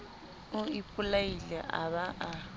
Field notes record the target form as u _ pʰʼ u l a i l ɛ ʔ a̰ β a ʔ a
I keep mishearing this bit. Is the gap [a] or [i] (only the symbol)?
i